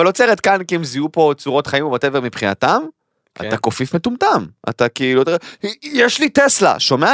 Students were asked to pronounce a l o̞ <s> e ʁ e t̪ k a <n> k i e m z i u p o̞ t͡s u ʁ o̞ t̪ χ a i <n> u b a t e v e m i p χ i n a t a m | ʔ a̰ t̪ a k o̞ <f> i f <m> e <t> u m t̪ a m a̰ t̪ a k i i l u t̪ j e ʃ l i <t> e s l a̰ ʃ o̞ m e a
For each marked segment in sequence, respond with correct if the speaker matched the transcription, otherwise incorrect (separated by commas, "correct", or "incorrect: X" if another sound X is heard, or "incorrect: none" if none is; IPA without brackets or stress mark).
incorrect: t͡s, correct, incorrect: m, correct, correct, correct, correct